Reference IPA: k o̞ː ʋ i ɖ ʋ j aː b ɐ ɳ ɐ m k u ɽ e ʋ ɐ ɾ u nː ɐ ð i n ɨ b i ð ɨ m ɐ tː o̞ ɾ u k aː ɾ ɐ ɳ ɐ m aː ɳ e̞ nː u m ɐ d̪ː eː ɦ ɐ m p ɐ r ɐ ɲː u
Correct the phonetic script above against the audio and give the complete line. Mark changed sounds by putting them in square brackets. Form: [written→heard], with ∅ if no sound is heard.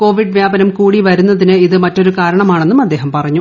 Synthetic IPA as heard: k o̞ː ʋ i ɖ ʋ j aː b ɐ [ɳ→n] ɐ m k [u→uː] ɽ [e→i] ʋ ɐ ɾ u nː ɐ ð i n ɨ [b→∅] i ð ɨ m ɐ tː o̞ ɾ u k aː ɾ ɐ ɳ ɐ m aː ɳ e̞ nː u m ɐ d̪ː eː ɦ ɐ m p ɐ r ɐ ɲː u